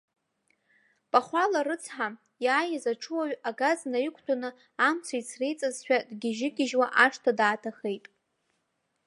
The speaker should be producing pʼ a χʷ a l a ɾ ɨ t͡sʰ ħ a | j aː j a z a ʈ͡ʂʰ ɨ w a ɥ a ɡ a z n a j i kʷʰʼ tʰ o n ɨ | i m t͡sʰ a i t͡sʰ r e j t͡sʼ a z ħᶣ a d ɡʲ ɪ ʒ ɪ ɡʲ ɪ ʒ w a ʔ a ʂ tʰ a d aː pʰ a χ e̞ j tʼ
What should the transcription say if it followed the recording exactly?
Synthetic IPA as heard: pʼ a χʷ a l a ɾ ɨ t͡sʰ ħ a | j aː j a z a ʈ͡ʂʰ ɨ w a ɥ a ɡ a z n a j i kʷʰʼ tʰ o n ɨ | a m t͡sʰ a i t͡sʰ r e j t͡sʼ a z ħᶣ a d ɡʲ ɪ ʒ ɪ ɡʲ ɪ ʒ w a ʔ a ʂ tʰ a d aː tʰ a χ e̞ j tʼ